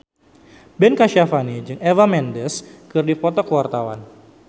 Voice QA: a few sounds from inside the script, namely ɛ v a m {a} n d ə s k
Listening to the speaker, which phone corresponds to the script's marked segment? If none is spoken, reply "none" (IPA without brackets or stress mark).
ɛ